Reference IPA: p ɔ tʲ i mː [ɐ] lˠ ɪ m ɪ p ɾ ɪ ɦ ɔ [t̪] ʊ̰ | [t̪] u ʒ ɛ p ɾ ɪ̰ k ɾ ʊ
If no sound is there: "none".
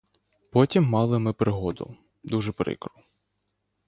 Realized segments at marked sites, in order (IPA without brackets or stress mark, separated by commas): ɑ, d̪, d̪